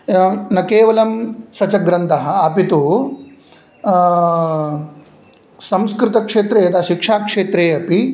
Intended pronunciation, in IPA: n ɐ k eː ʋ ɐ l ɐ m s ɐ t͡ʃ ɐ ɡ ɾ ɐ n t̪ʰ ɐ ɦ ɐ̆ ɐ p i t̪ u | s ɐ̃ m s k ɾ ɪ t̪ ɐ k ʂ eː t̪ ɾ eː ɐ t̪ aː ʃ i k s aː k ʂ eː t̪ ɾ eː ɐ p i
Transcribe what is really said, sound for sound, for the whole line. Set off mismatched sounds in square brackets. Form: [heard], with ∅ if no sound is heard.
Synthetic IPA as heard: n ɐ k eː ʋ ɐ l ɐ m s ɐ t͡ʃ ɐ ɡ ɾ ɐ n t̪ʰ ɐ ɦ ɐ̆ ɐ p i t̪ u | s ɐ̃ m s k ɾ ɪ t̪ ɐ k ʂ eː t̪ ɾ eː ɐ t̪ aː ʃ i k [ʂ] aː k ʂ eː t̪ ɾ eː ɐ p i